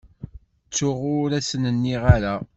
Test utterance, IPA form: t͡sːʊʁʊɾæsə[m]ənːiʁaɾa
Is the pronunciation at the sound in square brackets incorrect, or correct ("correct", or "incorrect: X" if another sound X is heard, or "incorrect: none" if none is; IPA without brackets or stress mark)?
incorrect: n